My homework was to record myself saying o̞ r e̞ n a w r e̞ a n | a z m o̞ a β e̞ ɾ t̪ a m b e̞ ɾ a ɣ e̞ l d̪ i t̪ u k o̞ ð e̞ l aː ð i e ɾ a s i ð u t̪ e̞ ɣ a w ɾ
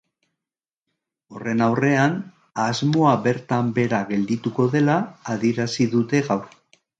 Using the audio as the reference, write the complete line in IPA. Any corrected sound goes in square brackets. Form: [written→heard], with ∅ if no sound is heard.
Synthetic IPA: o̞ r e̞ n a w r e̞ a n | a z m o̞ a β e̞ ɾ t̪ a m b e̞ ɾ a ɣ e̞ l d̪ i t̪ u k o̞ ð e̞ l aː ð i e ɾ a s i ð u t̪ e̞ ɣ a w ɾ